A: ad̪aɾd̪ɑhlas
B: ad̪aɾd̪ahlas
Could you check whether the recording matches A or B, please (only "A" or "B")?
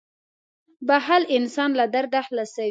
B